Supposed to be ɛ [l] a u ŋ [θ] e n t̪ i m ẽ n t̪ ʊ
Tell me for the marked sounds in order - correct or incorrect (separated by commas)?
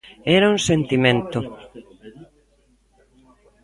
incorrect, incorrect